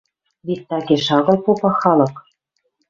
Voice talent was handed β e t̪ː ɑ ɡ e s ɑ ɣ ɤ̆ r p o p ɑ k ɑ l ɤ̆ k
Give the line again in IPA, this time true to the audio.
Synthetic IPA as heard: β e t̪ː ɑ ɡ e ʃ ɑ ɣ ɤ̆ l p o p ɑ x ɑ l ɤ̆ k